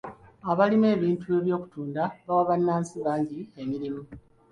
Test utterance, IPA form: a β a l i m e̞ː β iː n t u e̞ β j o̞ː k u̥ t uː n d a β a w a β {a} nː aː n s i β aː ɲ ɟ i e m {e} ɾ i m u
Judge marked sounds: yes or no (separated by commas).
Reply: yes, no